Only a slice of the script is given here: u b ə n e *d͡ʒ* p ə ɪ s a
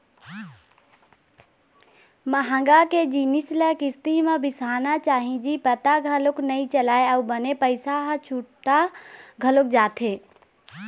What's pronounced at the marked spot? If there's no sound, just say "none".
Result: none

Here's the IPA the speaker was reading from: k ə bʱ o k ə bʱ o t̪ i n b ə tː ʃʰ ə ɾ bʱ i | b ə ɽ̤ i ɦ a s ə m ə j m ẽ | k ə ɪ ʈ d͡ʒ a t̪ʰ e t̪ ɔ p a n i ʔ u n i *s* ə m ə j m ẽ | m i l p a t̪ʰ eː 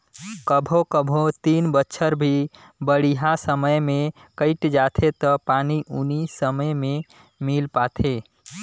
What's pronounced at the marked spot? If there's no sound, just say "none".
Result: s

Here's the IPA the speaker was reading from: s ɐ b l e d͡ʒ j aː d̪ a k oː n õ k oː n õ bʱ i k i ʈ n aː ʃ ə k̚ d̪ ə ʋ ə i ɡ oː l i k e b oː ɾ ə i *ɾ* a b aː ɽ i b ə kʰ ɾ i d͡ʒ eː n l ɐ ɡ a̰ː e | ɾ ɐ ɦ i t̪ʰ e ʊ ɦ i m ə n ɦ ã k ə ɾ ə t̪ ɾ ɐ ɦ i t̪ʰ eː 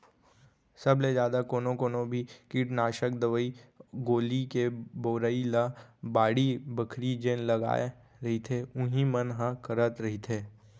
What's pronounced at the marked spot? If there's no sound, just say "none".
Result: l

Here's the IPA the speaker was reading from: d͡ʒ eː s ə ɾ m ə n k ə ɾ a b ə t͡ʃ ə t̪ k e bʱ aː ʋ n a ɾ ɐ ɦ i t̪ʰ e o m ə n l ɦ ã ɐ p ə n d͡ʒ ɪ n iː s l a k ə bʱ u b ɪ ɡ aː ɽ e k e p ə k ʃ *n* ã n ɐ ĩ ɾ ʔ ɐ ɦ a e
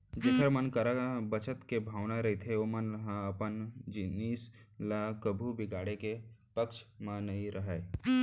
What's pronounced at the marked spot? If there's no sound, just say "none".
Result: m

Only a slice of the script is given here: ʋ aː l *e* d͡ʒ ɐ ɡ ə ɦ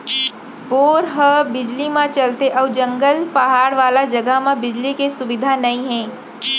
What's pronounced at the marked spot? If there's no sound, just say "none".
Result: a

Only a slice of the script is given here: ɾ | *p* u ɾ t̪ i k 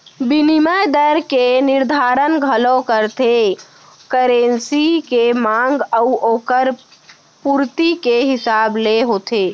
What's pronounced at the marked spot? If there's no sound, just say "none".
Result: p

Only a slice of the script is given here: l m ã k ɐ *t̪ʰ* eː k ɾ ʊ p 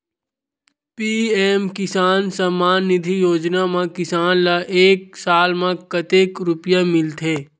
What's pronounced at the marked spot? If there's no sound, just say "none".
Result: t̪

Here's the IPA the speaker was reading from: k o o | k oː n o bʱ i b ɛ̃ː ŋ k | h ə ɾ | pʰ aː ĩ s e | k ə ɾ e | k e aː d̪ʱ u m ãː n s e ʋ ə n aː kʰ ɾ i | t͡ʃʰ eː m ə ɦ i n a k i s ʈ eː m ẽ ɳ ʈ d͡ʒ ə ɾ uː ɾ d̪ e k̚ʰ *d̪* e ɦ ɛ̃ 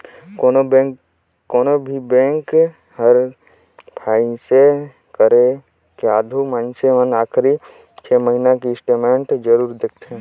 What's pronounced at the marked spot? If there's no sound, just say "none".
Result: t̪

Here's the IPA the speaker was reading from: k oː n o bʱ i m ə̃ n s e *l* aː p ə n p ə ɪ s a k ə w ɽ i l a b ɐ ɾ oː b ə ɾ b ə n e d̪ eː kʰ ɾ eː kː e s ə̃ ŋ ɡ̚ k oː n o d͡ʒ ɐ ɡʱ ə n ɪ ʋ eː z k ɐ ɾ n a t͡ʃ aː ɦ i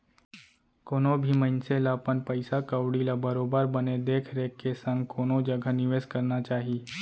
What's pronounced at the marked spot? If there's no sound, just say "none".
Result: l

